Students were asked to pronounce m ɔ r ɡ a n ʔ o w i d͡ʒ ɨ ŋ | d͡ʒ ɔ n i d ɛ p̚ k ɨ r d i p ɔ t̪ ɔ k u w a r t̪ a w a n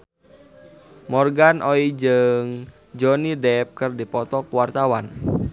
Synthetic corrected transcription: m ɔ r ɡ a n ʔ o i d͡ʒ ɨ ŋ | d͡ʒ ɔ n i d ɛ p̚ k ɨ r d i p ɔ t̪ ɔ k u w a r t̪ a w a n